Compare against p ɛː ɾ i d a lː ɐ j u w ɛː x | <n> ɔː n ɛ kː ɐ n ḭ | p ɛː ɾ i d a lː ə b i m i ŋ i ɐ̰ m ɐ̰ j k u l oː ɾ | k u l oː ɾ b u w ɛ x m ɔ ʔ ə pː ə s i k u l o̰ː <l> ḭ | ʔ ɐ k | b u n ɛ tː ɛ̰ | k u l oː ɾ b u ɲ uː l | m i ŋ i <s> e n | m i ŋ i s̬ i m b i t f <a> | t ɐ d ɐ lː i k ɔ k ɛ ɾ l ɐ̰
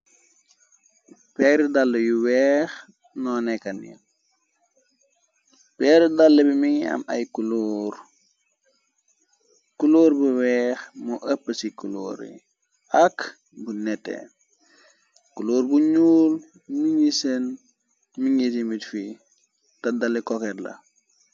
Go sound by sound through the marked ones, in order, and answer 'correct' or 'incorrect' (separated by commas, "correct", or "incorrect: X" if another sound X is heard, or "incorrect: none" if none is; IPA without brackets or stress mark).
correct, incorrect: ɾ, correct, incorrect: i